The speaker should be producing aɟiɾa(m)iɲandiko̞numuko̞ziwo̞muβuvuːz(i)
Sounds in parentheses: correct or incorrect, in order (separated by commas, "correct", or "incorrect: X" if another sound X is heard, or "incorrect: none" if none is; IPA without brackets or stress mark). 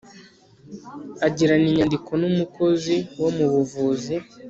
incorrect: n, correct